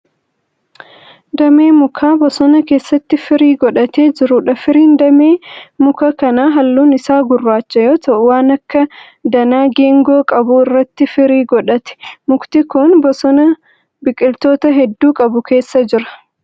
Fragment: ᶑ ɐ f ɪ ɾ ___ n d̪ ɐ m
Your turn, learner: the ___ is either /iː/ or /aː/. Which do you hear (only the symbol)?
iː